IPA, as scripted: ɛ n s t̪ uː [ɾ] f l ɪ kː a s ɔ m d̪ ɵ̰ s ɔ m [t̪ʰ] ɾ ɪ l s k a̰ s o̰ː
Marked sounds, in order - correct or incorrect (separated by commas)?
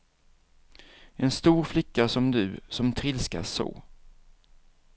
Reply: correct, correct